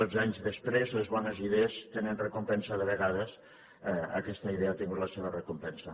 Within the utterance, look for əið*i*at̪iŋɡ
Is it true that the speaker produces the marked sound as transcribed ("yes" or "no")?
no